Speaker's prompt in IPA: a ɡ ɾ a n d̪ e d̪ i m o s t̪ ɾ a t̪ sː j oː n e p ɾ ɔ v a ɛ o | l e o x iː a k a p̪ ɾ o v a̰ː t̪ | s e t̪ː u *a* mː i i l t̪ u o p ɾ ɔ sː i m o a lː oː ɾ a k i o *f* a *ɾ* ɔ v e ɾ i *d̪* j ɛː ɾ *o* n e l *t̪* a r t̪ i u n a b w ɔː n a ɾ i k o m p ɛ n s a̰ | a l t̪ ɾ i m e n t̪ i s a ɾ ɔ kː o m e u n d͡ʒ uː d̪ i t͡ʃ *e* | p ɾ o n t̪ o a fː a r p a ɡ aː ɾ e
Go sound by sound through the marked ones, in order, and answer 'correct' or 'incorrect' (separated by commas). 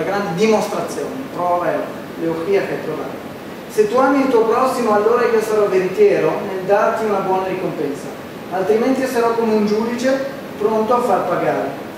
correct, incorrect, correct, incorrect, correct, incorrect, correct